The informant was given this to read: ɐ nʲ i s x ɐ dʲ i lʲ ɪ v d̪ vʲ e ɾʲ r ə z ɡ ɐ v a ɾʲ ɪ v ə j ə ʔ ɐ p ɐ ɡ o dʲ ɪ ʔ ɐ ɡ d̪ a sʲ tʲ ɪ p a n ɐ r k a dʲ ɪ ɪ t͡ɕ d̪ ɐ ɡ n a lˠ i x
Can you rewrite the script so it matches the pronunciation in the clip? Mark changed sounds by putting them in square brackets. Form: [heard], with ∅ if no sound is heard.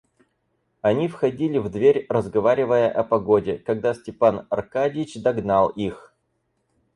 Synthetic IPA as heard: ɐ nʲ i [f] x ɐ dʲ i lʲ ɪ v d̪ vʲ e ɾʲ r ə z ɡ ɐ v a ɾʲ ɪ v ə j ə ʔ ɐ p ɐ ɡ o dʲ ɪ [k] ɐ ɡ d̪ a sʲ tʲ ɪ p a n ɐ r k a dʲ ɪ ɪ t͡ɕ d̪ ɐ ɡ n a lˠ i x

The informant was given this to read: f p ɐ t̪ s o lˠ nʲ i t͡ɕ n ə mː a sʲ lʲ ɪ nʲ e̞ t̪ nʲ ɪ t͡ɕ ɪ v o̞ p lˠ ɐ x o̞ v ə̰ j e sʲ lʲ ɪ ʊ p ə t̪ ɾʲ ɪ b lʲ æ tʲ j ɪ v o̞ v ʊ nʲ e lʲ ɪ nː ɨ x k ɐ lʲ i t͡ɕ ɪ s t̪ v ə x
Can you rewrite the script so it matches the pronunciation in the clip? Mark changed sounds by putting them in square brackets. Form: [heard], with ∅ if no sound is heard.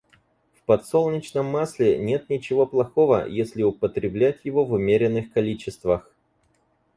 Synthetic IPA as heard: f p ɐ t̪ s o lˠ nʲ [ɪ] t͡ɕ n ə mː a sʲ lʲ ɪ nʲ e̞ t̪ nʲ ɪ t͡ɕ ɪ v o̞ p lˠ ɐ x o̞ v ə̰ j e sʲ lʲ ɪ ʊ p ə t̪ ɾʲ ɪ b lʲ æ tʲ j ɪ v o̞ v ʊ [mʲ] e [ɾʲ] ɪ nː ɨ x k ɐ lʲ i t͡ɕ ɪ s t̪ v ə x

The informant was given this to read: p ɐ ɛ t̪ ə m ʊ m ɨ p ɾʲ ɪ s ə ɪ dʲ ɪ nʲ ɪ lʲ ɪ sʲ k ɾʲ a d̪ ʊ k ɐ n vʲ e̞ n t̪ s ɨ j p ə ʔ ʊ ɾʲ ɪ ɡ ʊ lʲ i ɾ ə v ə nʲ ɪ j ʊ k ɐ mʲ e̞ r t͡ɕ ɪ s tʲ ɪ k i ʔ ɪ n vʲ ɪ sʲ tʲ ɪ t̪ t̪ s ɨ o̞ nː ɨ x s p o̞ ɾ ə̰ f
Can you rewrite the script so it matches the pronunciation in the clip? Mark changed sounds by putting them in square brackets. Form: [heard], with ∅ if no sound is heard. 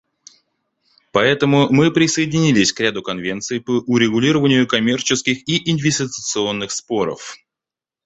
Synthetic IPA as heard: p ɐ ɛ t̪ ə m ʊ m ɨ p ɾʲ ɪ s ə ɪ dʲ ɪ nʲ [i] lʲ ɪ sʲ k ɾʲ a d̪ ʊ k ɐ n vʲ e̞ n t̪ s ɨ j p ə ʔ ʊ ɾʲ ɪ ɡ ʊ lʲ i ɾ ə v ə nʲ ɪ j ʊ k ɐ mʲ e̞ r t͡ɕ ɪ s [kʲ] ɪ [x] i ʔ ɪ n vʲ ɪ sʲ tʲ ɪ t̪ t̪ s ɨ o̞ nː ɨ x s p o̞ ɾ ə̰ f

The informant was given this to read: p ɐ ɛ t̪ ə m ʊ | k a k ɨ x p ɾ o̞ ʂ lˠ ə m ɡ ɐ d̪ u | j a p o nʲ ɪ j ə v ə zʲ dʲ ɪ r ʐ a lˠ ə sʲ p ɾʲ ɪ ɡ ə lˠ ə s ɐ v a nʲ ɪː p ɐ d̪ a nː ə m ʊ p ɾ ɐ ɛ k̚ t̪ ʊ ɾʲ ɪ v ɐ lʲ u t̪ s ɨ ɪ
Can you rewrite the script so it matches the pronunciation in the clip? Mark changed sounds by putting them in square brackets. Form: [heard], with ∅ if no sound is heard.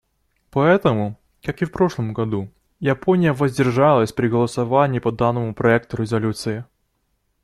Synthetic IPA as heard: p ɐ ɛ t̪ ə m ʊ | k a k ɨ [f] p ɾ o̞ ʂ lˠ ə m ɡ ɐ d̪ u | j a p o nʲ ɪ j ə v ə zʲ dʲ ɪ r ʐ a lˠ ə sʲ p ɾʲ ɪ ɡ ə lˠ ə s ɐ v a nʲ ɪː p ɐ d̪ a nː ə m ʊ p ɾ ɐ ɛ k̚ t̪ ʊ ɾʲ ɪ [z] ɐ lʲ u t̪ s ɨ ɪ

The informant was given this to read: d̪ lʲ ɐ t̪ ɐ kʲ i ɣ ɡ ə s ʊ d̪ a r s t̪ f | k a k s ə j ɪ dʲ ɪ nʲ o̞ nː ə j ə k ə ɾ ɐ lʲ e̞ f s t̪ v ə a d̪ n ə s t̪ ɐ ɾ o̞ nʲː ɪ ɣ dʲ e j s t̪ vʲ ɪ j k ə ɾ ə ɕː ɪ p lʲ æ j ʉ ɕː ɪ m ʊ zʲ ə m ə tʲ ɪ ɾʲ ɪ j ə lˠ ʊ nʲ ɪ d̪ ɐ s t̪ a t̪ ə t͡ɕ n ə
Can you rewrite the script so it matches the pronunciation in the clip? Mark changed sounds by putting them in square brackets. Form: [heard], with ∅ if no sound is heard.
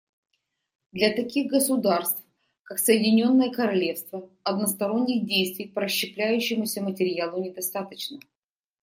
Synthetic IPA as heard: d̪ lʲ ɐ t̪ ɐ kʲ i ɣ ɡ ə s ʊ d̪ a r s t̪ f | k a k s ə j ɪ dʲ ɪ nʲ o̞ nː ə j ə k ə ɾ ɐ lʲ e̞ f s t̪ v ə [ɐ] d̪ n ə s t̪ ɐ ɾ o̞ nʲː ɪ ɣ dʲ e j s t̪ vʲ ɪ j [p] ə ɾ ə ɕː ɪ p lʲ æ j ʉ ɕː ɪ m ʊ [sʲ] ə m ə tʲ ɪ ɾʲ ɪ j [a] lˠ ʊ nʲ ɪ d̪ ɐ s t̪ a t̪ ə t͡ɕ n ə

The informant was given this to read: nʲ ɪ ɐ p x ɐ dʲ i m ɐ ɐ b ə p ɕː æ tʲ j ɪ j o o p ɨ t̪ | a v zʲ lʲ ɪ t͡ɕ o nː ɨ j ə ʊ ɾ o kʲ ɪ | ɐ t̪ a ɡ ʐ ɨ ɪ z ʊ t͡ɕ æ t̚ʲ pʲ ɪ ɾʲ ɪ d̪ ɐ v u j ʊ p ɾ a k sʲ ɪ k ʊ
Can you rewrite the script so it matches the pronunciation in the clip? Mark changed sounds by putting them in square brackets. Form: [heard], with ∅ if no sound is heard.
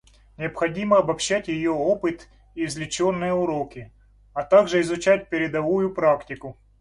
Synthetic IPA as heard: nʲ ɪ ɐ p x ɐ dʲ i m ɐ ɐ b [ɐ] p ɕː æ tʲ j ɪ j o o p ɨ t̪ | [i] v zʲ lʲ ɪ t͡ɕ o nː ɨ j ə ʊ ɾ o kʲ ɪ | ɐ t̪ a ɡ ʐ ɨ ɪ z ʊ t͡ɕ æ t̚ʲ pʲ ɪ ɾʲ ɪ d̪ ɐ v u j ʊ p ɾ a k [tʲ] ɪ k ʊ

